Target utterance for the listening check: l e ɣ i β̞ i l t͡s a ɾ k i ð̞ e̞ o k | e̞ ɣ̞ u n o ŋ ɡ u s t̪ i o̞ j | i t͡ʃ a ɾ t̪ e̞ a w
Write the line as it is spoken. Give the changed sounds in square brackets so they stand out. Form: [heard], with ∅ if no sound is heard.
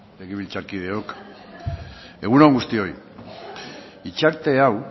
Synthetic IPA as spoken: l e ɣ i β̞ i l t͡s a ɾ k i ð̞ e̞ o k | e̞ ɣ̞ u n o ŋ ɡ u s t̪ i o̞ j | i t͡ʃ a ɾ t̪ e̞ a w